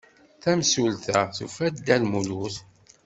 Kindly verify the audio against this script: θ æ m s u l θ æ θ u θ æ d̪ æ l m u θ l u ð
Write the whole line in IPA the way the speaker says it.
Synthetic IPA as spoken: θ æ m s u l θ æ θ u f æ d̪ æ l m u l u θ